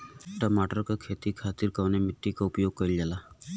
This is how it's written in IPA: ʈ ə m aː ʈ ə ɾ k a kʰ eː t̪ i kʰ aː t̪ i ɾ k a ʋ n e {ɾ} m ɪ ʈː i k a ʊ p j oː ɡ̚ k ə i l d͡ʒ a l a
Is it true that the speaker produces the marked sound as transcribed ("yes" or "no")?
no